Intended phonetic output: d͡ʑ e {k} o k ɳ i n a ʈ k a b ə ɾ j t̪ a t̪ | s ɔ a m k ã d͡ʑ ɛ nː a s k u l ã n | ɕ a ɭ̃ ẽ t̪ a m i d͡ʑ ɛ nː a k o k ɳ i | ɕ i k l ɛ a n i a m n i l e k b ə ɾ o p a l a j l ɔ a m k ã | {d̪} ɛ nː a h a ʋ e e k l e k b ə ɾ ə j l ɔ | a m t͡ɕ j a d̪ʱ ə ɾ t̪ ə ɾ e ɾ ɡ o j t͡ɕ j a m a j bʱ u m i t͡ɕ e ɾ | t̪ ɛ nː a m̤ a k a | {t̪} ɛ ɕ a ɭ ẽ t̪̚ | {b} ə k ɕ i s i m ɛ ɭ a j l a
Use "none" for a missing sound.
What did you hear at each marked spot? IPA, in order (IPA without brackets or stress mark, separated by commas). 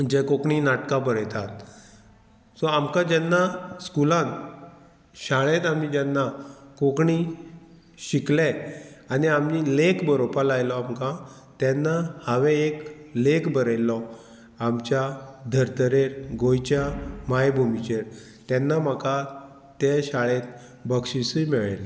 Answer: k, t̪, t̪, b